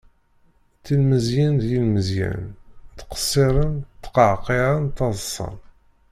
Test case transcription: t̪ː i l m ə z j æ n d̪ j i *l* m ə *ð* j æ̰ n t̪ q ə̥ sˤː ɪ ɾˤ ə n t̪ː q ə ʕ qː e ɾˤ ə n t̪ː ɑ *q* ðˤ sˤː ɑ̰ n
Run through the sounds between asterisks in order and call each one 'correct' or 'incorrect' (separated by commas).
correct, incorrect, incorrect